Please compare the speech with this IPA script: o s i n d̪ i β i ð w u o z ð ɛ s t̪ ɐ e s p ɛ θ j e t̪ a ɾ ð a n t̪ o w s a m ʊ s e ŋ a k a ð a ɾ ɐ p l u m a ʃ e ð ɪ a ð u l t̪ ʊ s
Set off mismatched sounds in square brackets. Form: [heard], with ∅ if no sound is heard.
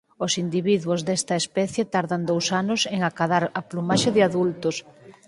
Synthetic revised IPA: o s i n d̪ i β i ð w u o z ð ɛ s t̪ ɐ e s p ɛ θ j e t̪ a ɾ ð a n [d̪] o w s a [n] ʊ s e ŋ a k a ð a ɾ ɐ p l u m a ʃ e ð ɪ a ð u l t̪ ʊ s